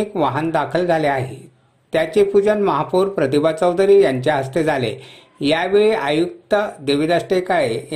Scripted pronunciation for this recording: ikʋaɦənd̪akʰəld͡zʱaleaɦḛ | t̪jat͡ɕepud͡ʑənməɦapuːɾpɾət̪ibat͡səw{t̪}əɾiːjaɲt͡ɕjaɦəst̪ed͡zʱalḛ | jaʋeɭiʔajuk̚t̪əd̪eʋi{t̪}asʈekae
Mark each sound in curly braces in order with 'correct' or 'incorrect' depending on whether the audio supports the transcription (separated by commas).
incorrect, incorrect